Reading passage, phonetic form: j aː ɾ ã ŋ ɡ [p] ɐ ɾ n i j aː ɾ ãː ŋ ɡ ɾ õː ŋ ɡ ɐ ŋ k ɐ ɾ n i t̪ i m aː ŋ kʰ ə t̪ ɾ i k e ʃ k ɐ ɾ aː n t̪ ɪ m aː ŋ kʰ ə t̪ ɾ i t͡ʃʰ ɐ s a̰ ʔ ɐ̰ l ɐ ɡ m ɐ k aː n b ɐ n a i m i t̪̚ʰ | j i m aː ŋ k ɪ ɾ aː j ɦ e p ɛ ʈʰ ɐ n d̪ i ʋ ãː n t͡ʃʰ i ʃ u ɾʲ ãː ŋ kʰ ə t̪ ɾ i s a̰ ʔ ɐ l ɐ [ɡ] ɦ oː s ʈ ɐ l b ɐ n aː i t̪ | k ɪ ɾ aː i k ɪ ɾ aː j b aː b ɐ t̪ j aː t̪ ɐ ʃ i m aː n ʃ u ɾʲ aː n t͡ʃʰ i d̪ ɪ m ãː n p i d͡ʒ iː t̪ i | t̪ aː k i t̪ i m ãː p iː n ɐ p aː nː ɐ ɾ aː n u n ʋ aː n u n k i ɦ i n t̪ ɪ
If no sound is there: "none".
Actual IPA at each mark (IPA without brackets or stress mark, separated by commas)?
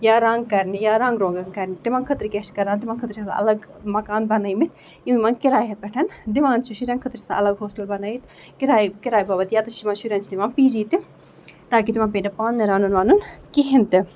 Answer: k, ɡ